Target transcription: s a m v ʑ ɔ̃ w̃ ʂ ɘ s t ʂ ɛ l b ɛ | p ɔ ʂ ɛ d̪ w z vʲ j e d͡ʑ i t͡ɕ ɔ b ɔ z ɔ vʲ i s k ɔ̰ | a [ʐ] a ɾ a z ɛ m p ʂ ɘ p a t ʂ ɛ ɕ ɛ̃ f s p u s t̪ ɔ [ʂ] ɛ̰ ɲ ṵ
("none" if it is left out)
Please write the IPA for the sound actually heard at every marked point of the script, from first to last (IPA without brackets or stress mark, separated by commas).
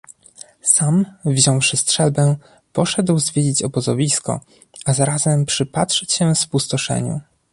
z, ʂ